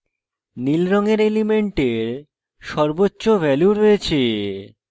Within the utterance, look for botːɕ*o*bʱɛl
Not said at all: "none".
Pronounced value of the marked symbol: o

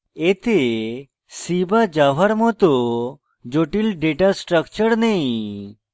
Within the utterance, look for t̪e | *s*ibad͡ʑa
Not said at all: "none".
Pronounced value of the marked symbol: s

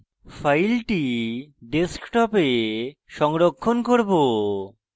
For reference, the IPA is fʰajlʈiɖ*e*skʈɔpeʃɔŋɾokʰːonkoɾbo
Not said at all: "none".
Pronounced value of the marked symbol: e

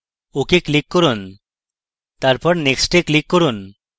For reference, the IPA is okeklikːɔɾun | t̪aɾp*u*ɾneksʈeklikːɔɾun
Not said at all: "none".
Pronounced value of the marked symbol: ɔ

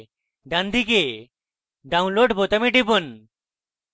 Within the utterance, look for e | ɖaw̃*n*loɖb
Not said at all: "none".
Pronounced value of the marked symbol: n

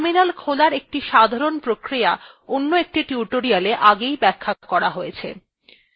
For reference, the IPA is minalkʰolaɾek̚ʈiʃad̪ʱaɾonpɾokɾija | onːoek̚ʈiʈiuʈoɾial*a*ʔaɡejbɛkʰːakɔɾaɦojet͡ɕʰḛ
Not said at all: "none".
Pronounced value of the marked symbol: e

